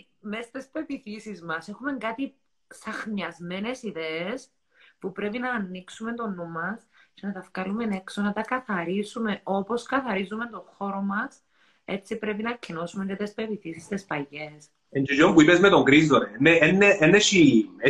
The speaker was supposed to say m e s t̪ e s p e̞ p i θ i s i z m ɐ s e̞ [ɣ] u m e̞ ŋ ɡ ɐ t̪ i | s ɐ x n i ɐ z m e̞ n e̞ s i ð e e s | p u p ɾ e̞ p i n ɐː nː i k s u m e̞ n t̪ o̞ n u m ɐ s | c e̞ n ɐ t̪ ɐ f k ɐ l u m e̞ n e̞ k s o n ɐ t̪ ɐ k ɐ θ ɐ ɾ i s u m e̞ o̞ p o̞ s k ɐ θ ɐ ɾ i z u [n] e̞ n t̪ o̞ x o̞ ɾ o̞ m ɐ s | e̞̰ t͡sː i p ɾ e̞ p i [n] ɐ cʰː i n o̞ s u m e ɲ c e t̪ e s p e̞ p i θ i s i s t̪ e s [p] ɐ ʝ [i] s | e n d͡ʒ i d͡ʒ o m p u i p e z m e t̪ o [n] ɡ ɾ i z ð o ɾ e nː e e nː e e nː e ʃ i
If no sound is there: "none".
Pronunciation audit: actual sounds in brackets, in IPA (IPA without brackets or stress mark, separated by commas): x, m, n, p, e, ŋ